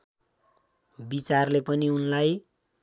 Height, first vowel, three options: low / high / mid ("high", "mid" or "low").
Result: high